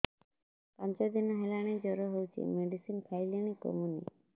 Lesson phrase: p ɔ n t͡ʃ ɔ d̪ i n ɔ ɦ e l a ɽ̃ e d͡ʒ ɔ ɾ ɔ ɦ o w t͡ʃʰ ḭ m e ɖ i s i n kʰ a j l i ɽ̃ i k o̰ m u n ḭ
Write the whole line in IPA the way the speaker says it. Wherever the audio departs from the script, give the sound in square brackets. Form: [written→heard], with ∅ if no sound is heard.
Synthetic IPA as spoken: p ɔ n t͡ʃ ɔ d̪ i n ɔ ɦ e l a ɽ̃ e d͡ʒ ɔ ɾ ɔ ɦ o w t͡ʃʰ ḭ m e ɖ i s i n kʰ a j l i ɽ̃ i k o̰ m u n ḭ

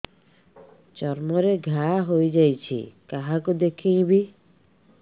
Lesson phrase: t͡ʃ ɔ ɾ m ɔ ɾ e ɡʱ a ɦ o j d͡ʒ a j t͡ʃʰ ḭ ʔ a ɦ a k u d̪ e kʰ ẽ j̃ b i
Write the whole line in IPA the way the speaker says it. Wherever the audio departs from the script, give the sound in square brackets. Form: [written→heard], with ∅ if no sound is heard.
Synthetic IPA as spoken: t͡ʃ ɔ ɾ m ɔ ɾ e ɡʱ a ɦ o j d͡ʒ a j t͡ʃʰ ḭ [ʔ→k] a ɦ a k u d̪ e kʰ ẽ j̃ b i

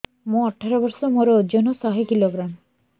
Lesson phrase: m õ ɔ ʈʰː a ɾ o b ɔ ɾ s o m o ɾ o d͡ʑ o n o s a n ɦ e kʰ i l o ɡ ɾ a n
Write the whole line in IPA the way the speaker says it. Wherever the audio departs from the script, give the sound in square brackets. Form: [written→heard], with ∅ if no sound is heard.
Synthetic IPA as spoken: m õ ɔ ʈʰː a ɾ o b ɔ ɾ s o m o ɾ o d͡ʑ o n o s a [n→∅] ɦ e [kʰ→k] i l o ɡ ɾ a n

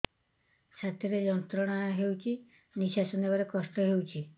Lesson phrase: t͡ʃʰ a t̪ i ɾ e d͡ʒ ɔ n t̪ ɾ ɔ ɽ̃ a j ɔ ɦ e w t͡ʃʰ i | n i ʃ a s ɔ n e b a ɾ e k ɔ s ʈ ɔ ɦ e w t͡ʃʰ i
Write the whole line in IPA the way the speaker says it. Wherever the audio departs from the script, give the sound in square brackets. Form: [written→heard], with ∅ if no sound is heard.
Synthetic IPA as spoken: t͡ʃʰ a t̪ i ɾ e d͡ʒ ɔ n t̪ ɾ ɔ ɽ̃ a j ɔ ɦ e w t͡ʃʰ i | n i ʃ a s ɔ n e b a ɾ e k ɔ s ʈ ɔ ɦ e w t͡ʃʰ i

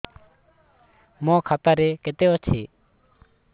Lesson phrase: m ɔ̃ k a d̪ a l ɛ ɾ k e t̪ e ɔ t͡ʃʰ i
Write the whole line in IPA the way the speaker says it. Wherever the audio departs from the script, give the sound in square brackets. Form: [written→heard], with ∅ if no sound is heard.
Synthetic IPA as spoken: m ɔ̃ [k→kʰ] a [d̪→t̪] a [l→ɾ] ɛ [ɾ→∅] k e t̪ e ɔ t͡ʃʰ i

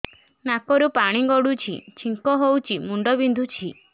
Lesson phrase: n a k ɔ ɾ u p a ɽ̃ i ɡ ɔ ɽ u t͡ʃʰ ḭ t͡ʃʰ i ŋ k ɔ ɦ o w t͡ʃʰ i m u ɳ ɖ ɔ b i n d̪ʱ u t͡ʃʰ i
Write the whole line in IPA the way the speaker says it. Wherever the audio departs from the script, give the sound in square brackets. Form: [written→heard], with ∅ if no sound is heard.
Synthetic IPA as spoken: n a k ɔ ɾ u p a ɽ̃ i ɡ ɔ ɽ u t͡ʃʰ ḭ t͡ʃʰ i ŋ k ɔ ɦ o w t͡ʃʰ i m u ɳ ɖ ɔ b i n d̪ʱ u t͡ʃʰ i

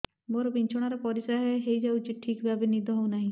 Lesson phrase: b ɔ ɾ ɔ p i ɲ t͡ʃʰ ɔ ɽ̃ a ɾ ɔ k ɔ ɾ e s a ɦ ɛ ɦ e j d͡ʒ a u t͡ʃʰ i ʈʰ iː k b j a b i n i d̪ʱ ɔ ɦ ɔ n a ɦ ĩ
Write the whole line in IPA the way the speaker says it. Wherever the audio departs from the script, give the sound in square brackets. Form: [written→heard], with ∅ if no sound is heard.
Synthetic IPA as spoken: b ɔ ɾ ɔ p i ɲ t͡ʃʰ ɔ ɽ̃ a ɾ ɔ [k→p] ɔ ɾ [e→i] s a ɦ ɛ ɦ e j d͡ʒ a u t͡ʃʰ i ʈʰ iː k b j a b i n i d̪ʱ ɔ ɦ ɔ n a ɦ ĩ

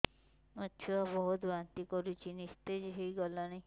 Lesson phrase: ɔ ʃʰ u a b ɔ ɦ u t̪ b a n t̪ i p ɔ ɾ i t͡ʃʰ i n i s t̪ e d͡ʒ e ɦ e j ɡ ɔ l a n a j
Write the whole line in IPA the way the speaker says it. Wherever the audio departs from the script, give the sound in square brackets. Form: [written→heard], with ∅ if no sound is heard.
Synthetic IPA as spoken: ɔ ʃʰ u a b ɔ ɦ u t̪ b a n t̪ i [p→k] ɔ ɾ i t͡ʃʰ i n i s t̪ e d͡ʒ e ɦ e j ɡ ɔ l a n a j

